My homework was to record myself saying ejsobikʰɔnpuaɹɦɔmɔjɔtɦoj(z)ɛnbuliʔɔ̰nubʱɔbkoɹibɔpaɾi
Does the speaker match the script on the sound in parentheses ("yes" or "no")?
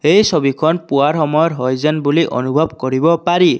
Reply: yes